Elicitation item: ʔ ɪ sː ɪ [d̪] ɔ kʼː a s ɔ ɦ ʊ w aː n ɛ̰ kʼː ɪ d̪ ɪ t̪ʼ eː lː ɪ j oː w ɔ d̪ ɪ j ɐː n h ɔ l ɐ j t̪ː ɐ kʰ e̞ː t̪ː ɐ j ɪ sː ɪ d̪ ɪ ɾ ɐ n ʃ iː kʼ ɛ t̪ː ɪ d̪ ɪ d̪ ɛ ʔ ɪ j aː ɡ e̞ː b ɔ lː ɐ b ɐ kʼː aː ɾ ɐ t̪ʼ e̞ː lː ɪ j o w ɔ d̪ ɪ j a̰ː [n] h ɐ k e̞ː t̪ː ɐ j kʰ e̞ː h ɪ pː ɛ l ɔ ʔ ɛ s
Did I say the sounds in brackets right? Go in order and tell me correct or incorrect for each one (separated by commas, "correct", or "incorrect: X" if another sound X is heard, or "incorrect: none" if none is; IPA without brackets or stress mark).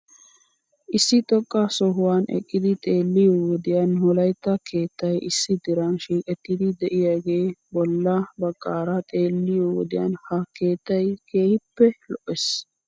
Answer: incorrect: t̪, correct